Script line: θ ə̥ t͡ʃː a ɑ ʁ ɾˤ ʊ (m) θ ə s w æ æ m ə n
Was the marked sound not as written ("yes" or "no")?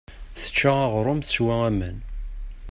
no